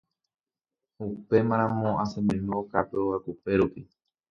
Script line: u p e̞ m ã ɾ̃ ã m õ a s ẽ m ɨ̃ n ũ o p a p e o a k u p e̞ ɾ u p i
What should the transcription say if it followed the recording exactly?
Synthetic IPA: u p e̞ m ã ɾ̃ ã m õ a s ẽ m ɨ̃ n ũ o k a p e o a k u p e̞ ɾ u p i